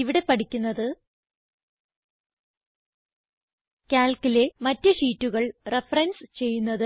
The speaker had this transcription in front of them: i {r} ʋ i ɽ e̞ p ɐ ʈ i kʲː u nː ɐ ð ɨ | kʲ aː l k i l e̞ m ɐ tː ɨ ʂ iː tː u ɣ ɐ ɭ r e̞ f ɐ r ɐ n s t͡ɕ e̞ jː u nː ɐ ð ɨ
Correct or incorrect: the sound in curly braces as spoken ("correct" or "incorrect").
incorrect